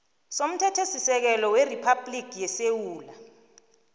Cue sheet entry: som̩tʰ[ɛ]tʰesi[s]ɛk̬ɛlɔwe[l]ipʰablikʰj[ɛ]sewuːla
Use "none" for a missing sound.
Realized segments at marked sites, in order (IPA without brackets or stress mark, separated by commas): ɛ, s, r, ɛ